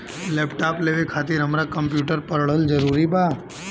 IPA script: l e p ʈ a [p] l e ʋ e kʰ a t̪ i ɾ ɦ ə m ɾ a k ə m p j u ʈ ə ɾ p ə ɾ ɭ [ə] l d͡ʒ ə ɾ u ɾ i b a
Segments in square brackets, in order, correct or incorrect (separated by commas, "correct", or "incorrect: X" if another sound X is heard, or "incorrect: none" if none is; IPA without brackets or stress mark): correct, correct